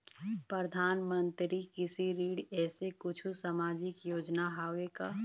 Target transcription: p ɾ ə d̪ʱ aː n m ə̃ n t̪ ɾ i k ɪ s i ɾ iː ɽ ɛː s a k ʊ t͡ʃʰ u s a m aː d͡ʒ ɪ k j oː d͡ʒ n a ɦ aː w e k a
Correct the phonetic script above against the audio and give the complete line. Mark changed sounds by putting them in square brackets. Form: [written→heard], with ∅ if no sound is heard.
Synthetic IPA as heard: p ɾ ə d̪ʱ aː n m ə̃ n t̪ ɾ i k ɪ s i ɾ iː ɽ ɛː s [a→e] k ʊ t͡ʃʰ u s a m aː d͡ʒ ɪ k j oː d͡ʒ n a ɦ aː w e k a